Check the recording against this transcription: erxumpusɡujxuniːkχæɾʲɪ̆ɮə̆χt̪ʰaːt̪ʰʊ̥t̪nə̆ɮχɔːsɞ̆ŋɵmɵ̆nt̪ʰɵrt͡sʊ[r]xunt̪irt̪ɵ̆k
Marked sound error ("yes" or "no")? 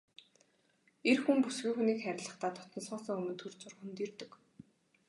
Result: no